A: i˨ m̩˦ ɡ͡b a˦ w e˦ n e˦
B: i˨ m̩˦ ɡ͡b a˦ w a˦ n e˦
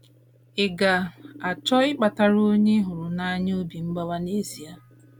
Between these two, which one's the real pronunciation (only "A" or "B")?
B